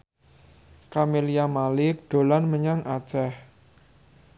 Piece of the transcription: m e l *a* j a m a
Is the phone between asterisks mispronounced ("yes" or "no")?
yes